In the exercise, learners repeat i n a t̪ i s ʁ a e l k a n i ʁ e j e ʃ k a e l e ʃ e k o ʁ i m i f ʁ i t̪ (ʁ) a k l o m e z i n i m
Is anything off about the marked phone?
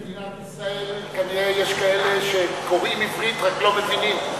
no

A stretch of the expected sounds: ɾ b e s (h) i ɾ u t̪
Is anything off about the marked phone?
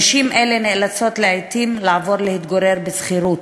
yes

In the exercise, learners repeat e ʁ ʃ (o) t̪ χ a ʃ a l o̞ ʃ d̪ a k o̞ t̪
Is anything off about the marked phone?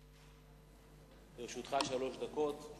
yes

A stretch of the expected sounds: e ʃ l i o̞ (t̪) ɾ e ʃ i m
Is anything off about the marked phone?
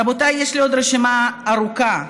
yes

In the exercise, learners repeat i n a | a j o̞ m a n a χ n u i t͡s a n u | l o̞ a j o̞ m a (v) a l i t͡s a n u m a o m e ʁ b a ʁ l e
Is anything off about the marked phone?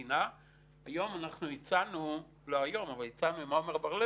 no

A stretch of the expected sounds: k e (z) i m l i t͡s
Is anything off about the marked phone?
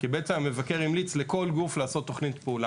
yes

